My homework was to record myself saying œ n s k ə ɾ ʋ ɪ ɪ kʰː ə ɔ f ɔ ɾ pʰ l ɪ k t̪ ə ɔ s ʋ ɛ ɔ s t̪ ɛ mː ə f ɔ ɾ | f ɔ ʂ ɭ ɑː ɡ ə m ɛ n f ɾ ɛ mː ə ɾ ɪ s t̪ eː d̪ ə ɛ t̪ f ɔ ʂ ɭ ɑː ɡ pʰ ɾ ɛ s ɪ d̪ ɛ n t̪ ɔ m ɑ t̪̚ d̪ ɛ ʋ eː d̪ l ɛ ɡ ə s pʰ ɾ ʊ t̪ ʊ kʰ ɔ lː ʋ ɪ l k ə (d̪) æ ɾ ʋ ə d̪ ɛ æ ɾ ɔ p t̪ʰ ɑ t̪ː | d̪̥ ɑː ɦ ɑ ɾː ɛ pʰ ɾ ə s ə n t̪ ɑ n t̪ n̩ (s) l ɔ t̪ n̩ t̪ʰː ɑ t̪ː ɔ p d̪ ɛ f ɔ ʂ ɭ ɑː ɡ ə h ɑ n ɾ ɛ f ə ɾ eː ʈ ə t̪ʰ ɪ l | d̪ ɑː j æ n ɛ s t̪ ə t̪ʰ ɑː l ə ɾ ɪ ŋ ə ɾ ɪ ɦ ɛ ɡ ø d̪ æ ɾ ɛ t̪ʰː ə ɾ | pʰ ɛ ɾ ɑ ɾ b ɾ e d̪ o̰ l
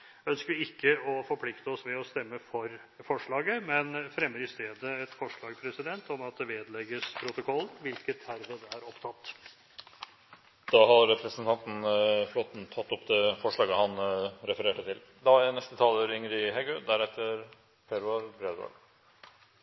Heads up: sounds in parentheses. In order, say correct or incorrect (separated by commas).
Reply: incorrect, incorrect